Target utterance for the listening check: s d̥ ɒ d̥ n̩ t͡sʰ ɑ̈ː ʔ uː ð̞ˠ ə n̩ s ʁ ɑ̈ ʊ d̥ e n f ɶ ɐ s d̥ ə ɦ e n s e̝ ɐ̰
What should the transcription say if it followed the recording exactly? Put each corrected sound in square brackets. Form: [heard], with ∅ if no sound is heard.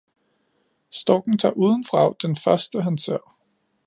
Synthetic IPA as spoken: s d̥ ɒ [ɡ̥] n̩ t͡sʰ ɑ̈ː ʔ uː ð̞ˠ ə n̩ [f] ʁ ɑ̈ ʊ d̥ e n f ɶ ɐ s d̥ ə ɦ [æ] n s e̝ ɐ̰